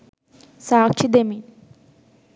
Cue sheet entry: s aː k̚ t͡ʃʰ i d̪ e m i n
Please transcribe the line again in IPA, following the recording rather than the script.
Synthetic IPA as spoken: s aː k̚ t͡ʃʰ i d̪ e m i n